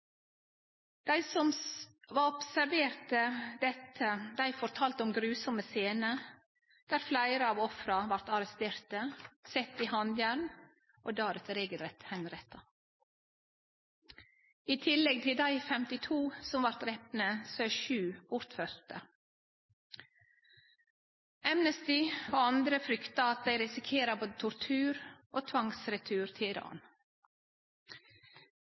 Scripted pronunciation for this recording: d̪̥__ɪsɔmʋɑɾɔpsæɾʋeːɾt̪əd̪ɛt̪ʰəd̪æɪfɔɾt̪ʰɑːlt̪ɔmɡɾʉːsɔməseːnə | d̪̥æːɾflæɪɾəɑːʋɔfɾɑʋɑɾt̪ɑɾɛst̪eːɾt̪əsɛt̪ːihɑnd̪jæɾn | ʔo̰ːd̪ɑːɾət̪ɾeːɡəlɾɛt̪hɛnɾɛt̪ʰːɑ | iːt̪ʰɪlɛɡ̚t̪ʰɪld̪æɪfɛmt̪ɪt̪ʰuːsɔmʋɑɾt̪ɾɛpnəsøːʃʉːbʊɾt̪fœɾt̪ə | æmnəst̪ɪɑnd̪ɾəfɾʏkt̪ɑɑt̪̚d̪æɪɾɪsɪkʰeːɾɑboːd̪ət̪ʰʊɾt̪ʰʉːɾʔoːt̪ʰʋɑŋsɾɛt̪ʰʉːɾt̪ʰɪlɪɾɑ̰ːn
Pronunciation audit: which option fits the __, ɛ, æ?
æ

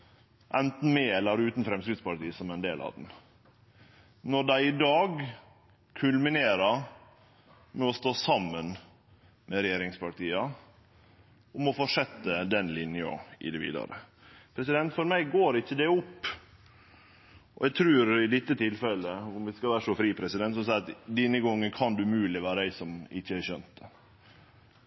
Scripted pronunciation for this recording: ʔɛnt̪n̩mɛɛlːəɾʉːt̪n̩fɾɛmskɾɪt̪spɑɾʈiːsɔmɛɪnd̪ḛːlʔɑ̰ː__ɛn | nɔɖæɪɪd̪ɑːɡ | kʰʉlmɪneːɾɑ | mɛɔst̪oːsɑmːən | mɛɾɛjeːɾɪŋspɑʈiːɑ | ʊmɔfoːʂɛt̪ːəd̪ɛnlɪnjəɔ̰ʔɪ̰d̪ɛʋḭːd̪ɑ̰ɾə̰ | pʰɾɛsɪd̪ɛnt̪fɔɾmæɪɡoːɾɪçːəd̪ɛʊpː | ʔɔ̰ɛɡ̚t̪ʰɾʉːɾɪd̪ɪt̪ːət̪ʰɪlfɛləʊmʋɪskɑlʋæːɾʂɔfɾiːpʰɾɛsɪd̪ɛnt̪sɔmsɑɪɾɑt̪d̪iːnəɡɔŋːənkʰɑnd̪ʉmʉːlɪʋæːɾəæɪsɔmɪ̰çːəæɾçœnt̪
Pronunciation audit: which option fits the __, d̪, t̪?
d̪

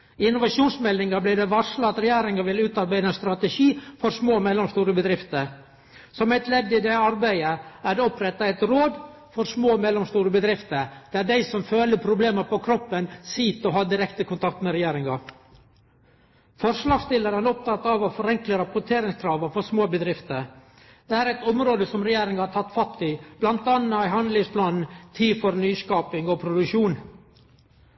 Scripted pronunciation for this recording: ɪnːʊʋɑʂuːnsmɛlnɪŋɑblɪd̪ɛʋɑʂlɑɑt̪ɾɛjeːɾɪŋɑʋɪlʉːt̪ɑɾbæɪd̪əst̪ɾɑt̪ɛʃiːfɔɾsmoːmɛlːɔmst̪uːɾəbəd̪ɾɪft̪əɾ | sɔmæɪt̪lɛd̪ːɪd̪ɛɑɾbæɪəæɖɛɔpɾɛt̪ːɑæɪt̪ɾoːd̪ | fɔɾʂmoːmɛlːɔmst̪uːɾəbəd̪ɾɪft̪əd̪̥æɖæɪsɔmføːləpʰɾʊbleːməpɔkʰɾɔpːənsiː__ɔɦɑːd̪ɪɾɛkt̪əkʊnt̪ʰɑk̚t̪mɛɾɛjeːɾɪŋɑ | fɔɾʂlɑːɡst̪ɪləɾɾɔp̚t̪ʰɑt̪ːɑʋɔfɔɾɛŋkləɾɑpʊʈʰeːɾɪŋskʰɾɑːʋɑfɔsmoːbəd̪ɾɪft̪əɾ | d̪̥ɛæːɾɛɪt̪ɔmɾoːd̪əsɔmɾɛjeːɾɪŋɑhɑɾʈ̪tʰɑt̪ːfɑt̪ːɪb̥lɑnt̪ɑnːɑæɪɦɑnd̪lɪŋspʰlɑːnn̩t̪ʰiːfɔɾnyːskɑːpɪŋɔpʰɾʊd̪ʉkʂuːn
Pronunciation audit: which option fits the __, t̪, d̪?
t̪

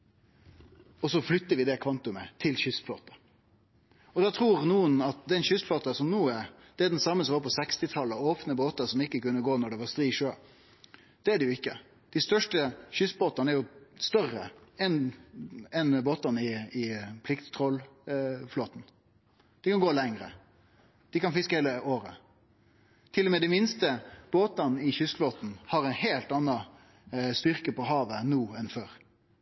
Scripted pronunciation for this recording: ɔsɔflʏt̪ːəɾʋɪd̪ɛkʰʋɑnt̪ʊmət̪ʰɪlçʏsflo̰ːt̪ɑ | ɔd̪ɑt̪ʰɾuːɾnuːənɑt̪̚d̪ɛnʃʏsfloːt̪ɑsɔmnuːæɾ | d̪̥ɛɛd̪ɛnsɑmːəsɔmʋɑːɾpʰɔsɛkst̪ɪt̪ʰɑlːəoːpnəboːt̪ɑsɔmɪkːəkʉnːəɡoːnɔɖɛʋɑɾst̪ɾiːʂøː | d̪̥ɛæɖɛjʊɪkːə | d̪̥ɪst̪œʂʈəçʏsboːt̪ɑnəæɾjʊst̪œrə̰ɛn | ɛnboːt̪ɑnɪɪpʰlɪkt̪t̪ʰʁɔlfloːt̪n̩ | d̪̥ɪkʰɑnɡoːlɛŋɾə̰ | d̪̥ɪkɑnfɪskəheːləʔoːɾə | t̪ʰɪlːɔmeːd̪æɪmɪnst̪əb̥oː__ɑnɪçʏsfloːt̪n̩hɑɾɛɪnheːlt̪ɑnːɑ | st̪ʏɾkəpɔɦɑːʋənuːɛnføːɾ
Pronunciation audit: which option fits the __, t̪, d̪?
t̪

